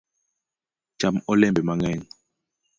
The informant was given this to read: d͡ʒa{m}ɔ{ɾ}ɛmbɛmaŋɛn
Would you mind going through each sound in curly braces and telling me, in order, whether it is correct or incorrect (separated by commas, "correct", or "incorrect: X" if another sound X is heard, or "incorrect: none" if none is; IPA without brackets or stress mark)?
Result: correct, incorrect: l